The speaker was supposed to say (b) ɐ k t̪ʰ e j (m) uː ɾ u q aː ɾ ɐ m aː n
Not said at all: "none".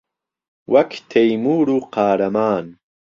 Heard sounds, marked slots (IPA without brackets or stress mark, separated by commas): w, m